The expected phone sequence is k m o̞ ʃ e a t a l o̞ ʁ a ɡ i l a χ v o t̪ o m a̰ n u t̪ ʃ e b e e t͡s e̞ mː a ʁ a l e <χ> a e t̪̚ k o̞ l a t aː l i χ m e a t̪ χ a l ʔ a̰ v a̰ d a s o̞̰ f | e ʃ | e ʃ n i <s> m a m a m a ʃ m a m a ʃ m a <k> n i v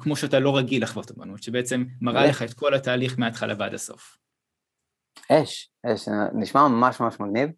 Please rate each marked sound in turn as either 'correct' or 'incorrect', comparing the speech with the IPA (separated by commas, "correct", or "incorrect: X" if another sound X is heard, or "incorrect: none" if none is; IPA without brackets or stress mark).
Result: correct, incorrect: ʃ, incorrect: ɡ